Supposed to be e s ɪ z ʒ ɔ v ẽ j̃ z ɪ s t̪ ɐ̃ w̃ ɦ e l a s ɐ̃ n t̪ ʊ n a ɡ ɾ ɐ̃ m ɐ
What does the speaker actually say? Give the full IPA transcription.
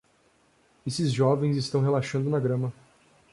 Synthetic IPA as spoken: e s ɪ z ʒ ɔ v ẽ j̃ z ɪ s t̪ ɐ̃ w̃ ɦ e l a ʃ ɐ̃ n d̪ ʊ n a ɡ ɾ ɐ̃ m ɐ